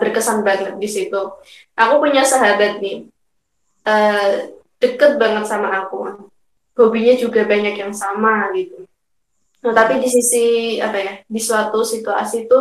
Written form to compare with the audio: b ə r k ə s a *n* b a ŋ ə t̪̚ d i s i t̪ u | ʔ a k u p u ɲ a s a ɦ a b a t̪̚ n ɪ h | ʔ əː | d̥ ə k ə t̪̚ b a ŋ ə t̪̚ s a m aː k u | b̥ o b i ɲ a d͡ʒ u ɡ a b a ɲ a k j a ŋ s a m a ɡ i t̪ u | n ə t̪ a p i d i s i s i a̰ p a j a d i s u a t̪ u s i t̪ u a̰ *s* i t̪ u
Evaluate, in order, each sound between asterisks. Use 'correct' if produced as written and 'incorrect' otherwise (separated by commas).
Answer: correct, correct